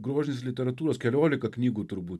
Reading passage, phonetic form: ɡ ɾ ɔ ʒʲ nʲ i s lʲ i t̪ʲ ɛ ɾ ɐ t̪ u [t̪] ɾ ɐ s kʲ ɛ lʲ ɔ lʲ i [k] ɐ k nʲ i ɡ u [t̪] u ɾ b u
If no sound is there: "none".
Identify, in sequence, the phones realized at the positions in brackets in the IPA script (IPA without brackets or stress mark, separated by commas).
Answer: none, k, t̪